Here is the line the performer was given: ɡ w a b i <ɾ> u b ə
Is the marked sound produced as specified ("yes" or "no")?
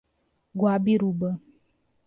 yes